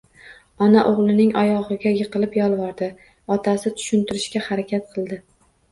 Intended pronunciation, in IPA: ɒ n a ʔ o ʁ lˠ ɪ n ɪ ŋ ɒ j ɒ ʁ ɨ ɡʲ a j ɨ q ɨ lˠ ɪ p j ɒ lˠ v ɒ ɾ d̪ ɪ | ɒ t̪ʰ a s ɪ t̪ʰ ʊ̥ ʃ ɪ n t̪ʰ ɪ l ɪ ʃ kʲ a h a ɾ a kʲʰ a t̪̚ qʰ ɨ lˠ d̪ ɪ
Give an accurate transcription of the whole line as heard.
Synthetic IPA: ɒ n a ʔ o ʁ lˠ ɪ n ɪ ŋ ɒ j ɒ ʁ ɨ ɡʲ a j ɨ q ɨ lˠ ɪ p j ɒ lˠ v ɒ ɾ d̪ ɪ | ɒ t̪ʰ a s ɪ t̪ʰ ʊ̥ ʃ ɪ n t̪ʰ ɪ ɾ ɪ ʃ kʲ a h a ɾ a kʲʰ a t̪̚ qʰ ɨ lˠ d̪ ɪ